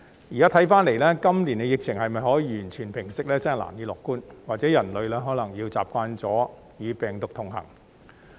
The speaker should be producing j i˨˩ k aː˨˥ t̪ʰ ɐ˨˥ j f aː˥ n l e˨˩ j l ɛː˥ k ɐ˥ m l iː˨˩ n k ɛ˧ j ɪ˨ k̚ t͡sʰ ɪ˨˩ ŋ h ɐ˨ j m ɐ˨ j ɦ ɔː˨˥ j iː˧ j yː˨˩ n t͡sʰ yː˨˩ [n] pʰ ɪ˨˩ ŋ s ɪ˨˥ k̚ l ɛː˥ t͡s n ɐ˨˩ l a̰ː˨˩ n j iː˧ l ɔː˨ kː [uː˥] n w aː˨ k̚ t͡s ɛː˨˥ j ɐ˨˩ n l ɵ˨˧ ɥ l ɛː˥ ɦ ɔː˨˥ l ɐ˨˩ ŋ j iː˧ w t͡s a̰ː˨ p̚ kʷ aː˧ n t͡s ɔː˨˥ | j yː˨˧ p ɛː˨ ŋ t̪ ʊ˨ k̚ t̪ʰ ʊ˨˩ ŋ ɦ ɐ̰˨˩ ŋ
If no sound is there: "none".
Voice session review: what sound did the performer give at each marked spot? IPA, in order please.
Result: n, uː˥

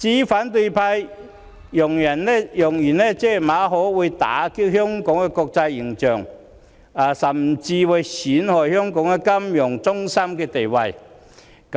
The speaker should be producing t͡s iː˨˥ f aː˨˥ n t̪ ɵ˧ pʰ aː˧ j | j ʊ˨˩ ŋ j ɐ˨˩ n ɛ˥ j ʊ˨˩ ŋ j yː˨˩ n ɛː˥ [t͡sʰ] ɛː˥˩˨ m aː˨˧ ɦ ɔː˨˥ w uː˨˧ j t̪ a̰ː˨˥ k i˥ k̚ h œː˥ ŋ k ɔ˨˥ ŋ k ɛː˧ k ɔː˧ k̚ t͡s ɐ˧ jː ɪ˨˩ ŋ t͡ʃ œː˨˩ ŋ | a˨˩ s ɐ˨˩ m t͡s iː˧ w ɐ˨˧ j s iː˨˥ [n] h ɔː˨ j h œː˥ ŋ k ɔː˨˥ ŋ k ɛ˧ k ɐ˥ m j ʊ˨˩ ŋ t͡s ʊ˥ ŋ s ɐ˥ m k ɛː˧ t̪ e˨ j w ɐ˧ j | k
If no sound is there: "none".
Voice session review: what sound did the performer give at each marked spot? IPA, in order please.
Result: t͡s, n

